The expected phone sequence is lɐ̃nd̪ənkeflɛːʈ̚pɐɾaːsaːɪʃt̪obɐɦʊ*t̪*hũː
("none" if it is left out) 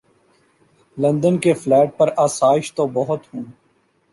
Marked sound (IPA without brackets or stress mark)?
t̪